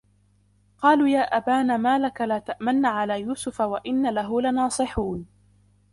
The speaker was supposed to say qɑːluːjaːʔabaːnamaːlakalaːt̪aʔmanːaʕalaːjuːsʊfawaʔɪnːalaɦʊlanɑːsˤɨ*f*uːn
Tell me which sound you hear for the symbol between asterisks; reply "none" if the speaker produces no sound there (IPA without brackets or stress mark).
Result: ħ